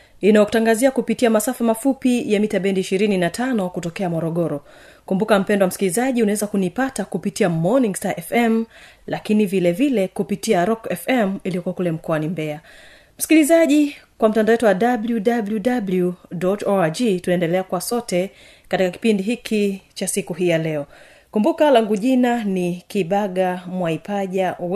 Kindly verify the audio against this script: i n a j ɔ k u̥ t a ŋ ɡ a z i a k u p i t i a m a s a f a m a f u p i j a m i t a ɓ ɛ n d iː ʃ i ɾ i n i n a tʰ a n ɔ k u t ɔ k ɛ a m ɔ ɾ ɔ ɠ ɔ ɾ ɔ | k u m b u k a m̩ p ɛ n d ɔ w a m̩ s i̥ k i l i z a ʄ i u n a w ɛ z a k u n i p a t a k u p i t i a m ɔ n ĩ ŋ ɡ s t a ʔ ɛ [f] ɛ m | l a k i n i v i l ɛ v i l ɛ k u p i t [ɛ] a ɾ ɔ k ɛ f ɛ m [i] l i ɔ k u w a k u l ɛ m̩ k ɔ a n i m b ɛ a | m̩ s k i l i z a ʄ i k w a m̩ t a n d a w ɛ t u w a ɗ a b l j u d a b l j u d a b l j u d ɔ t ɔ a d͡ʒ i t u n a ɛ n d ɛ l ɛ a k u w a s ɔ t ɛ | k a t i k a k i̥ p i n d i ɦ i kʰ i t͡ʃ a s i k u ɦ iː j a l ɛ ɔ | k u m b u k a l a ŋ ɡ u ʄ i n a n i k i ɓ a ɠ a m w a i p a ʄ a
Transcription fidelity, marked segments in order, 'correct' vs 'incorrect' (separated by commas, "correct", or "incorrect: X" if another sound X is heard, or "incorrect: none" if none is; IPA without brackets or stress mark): correct, incorrect: i, correct